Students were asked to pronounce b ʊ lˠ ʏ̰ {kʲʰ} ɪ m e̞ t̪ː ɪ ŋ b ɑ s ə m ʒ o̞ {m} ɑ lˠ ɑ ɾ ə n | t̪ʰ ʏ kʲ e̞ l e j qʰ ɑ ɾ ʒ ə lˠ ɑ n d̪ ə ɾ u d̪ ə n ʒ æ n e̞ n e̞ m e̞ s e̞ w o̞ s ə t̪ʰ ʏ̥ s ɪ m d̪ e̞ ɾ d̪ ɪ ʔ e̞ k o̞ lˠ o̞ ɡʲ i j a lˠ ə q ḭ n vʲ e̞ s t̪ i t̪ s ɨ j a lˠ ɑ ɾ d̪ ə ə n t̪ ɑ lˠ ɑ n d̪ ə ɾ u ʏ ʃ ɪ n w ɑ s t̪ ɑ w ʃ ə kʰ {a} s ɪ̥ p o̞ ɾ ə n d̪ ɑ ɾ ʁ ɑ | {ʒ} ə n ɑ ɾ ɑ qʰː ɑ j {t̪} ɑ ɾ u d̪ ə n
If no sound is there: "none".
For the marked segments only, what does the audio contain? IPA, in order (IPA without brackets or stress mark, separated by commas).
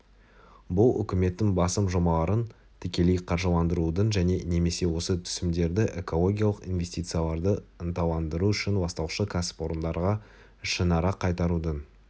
kʲ, m, a, ʃ, t̪